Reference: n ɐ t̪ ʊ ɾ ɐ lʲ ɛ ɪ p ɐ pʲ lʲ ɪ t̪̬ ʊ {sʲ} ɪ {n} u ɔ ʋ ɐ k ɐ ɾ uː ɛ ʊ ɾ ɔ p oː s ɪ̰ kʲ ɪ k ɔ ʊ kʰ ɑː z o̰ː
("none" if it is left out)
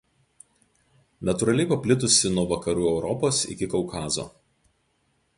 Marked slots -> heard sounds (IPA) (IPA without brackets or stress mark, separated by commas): sʲ, n